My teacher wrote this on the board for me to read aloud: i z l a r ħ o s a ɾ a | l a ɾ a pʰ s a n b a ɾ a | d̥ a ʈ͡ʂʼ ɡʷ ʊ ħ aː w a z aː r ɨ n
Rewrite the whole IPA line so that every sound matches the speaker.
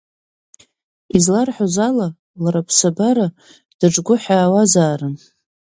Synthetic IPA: i z l a r ħ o z a l a | l a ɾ a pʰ s a b a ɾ a | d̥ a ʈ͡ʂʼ ɡʷ ʊ ħ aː w a z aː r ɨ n